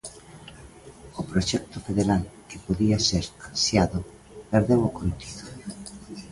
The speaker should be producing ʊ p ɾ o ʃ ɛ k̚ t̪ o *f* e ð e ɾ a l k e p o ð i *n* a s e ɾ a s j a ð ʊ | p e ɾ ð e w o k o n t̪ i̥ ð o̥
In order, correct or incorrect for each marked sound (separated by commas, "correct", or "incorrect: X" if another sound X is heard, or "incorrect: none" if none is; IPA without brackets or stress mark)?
correct, incorrect: none